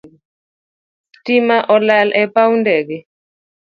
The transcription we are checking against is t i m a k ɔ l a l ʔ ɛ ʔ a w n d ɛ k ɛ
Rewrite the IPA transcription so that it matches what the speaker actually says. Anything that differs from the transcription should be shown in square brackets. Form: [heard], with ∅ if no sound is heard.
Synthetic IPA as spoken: t i m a [ʔ] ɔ l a l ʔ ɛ [p] a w n d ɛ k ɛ

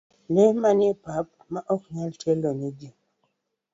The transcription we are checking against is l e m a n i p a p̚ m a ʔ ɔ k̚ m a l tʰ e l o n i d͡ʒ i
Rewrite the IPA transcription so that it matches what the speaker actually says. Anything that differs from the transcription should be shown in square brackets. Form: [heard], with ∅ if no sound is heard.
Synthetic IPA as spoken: l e m a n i p a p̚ m a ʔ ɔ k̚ [ɲ] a l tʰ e l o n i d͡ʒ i

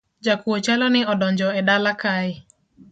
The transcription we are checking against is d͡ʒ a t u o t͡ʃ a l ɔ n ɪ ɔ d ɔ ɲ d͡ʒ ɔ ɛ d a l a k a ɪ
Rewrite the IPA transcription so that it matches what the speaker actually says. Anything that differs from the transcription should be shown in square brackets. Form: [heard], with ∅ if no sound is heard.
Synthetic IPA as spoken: d͡ʒ a [k] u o t͡ʃ a l ɔ n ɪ ɔ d ɔ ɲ d͡ʒ ɔ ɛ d a l a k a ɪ

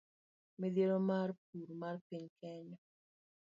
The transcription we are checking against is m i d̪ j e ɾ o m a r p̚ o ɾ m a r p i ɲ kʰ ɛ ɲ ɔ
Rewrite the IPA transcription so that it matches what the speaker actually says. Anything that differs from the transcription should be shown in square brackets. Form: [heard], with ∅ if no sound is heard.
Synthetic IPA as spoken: m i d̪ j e ɾ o m a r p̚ [u] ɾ m a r p i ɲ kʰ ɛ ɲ ɔ

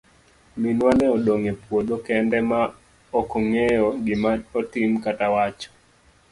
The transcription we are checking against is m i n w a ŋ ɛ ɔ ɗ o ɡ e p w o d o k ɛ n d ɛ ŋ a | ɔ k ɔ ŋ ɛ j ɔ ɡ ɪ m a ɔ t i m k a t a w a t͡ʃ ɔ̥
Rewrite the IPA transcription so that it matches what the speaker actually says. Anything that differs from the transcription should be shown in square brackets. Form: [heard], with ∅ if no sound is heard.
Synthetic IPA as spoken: m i n w a [n] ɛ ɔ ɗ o [ŋ] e p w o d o k ɛ n d ɛ [m] a | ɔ k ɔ ŋ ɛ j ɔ ɡ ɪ m a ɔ t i m k a t a w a t͡ʃ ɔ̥

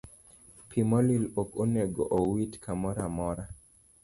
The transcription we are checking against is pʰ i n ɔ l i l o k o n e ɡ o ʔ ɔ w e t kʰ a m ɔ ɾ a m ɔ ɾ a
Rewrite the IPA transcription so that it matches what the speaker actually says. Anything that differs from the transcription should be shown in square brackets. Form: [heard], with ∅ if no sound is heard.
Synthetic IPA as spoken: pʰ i [m] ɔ l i l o k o n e ɡ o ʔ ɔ w [i] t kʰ a m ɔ ɾ a m ɔ ɾ a

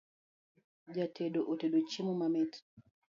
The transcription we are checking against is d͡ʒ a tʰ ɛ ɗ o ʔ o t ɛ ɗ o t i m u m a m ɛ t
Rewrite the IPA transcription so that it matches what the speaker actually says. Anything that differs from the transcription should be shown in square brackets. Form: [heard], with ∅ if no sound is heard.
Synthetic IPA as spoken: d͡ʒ a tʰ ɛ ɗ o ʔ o t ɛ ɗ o [t͡ʃ] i m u m a m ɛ t

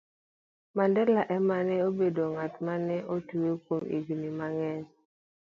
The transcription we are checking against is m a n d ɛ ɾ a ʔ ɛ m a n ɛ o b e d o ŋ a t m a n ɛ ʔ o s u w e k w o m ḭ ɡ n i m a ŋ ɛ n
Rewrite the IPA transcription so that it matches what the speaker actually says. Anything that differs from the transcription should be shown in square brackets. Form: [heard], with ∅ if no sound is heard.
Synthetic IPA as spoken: m a n d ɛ [l] a ʔ ɛ m a n ɛ o b e d o ŋ a t m a n ɛ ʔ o [t] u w e k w o m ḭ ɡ n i m a ŋ ɛ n

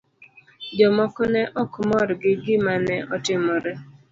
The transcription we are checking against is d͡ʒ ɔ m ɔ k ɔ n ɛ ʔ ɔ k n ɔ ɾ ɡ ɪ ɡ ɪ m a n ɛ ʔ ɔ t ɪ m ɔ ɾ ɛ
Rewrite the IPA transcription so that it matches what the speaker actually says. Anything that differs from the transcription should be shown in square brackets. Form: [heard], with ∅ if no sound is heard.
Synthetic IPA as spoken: d͡ʒ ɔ m ɔ k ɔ n ɛ ʔ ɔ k [m] ɔ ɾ ɡ ɪ ɡ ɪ m a n ɛ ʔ ɔ t ɪ m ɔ ɾ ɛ

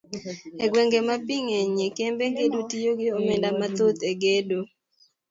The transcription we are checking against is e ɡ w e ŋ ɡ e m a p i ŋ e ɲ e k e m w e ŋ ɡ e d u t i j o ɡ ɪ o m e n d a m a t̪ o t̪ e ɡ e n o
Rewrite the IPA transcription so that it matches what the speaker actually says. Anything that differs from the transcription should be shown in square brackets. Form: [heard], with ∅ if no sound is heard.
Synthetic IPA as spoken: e ɡ w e ŋ ɡ e m a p i ŋ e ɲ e k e m [b] e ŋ ɡ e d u t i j o ɡ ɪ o m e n d a m a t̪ o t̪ e ɡ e [d] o

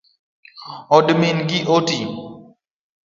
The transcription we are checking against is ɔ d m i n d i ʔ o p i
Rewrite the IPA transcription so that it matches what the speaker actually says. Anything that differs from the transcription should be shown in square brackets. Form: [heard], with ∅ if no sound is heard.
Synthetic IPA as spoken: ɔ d m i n [ɡ] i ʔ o [t] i

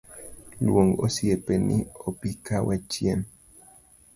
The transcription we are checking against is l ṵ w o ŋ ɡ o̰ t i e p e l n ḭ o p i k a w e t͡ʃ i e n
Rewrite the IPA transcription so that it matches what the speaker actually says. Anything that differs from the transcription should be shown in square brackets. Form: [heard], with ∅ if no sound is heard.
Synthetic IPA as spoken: l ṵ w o ŋ ɡ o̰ [s] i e p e [∅] n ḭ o p i k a w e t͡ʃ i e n

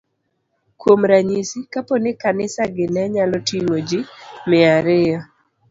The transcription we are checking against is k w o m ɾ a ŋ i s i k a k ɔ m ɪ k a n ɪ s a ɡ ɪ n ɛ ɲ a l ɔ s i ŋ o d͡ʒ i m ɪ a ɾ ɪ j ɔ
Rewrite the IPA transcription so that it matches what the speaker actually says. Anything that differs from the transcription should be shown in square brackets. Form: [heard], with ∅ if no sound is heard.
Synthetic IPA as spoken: k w o m ɾ a [ɲ] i s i k a [p] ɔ [n] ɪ k a n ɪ s a ɡ ɪ n ɛ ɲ a l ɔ [t] i ŋ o d͡ʒ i m ɪ a ɾ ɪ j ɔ

